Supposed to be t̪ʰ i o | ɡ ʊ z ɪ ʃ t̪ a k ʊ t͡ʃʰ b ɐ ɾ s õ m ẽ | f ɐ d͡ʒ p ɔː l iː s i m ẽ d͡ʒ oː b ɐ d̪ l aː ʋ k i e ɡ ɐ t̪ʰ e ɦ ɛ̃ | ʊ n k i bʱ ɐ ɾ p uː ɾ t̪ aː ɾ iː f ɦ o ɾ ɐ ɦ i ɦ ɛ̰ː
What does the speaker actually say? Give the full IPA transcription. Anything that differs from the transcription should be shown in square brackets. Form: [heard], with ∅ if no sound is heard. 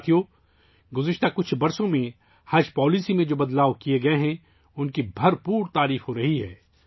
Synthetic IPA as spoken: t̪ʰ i o | ɡ ʊ z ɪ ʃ t̪ a k ʊ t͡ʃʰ b ɐ ɾ s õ m ẽ | [h] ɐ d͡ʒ p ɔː l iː s i m ẽ d͡ʒ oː b ɐ d̪ l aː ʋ k i e ɡ ɐ [∅] e ɦ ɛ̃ | ʊ n k i bʱ ɐ ɾ p uː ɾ t̪ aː ɾ iː f ɦ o ɾ ɐ ɦ i ɦ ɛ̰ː